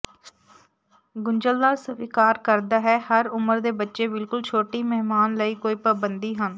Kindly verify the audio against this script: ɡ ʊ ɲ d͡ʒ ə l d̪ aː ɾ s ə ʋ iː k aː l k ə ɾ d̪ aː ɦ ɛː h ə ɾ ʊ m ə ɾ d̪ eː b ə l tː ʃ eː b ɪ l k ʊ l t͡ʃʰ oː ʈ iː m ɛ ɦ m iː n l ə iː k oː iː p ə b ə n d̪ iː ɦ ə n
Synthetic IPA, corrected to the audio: ɡ ʊ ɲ d͡ʒ ə l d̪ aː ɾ s ə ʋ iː k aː ɾ k ə ɾ d̪ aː ɦ ɛː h ə ɾ ʊ m ə ɾ d̪ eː b ə tː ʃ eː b ɪ l k ʊ l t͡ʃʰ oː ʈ iː m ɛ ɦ m aː n l ə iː k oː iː p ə b ə n d̪ iː ɦ ə n